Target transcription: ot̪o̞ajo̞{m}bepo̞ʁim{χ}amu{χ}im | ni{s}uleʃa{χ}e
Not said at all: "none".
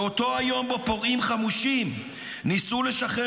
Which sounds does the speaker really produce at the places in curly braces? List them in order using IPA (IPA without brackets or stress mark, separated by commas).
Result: m, χ, ʃ, s, χ